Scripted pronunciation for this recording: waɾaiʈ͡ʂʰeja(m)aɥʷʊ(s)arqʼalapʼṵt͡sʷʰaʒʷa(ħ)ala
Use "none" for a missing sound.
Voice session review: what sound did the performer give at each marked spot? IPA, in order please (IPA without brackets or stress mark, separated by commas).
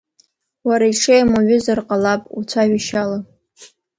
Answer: m, z, ʃ